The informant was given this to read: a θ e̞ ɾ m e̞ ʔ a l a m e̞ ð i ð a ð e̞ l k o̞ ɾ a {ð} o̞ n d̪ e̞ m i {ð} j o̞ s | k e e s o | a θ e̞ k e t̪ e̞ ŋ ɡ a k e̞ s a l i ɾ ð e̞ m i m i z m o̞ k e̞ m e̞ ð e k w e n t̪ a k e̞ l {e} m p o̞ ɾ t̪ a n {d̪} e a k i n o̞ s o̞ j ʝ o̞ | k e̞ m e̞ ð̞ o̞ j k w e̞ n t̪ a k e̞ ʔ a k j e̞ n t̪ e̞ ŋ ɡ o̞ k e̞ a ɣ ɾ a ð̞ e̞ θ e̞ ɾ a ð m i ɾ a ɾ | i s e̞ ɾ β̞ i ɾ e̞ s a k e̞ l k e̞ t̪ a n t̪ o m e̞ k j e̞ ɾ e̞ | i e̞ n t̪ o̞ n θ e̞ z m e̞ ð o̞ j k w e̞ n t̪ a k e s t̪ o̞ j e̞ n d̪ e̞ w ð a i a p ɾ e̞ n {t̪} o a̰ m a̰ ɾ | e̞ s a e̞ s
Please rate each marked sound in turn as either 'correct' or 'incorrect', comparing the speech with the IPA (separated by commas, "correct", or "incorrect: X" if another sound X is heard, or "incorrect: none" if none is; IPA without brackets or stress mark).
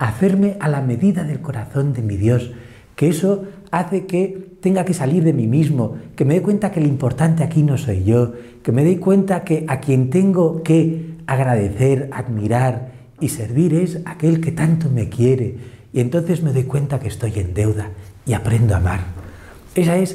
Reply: incorrect: θ, correct, incorrect: i, incorrect: t̪, incorrect: d̪